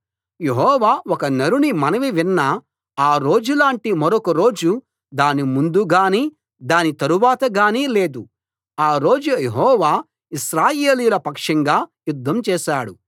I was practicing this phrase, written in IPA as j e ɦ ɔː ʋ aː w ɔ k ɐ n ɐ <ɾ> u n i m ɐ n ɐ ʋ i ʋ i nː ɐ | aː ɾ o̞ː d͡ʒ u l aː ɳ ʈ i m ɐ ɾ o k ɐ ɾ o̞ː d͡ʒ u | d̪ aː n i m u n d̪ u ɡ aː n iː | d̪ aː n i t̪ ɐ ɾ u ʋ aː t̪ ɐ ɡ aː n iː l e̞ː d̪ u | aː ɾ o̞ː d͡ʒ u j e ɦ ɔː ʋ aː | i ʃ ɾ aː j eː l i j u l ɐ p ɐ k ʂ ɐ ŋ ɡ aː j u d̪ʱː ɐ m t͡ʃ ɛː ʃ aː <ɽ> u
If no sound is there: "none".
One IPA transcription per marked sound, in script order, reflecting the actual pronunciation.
ɾ, ɽ

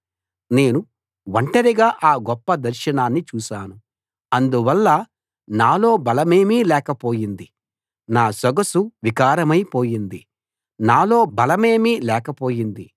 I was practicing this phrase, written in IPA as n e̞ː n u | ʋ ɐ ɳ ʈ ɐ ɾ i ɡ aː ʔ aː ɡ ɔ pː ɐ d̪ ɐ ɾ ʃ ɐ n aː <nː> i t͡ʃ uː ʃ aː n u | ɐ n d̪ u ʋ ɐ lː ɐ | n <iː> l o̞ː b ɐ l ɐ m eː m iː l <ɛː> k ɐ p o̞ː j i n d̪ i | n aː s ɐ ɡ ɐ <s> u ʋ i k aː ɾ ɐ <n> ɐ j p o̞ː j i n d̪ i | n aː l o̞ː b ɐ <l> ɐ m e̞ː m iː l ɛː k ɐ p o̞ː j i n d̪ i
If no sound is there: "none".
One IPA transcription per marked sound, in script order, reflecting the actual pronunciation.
nː, aː, ɛː, s, m, l

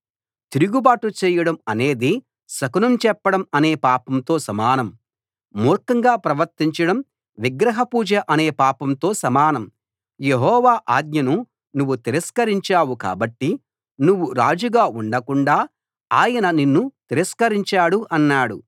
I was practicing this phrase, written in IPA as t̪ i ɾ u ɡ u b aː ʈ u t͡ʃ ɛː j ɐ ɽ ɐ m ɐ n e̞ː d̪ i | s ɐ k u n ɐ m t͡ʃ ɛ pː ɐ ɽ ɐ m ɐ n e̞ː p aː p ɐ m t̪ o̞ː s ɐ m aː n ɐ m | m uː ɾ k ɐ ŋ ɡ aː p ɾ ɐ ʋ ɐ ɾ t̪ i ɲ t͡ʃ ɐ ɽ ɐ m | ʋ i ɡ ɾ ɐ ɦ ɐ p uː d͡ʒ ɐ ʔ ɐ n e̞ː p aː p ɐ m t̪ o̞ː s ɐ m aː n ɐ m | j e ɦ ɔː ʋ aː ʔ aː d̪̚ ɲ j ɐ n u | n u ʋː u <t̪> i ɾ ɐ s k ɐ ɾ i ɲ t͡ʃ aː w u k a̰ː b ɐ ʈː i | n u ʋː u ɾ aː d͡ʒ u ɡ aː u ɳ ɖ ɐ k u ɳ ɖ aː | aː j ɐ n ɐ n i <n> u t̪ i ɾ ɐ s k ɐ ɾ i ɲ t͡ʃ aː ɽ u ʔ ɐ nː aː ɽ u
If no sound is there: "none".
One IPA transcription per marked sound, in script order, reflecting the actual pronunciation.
t̪, nː

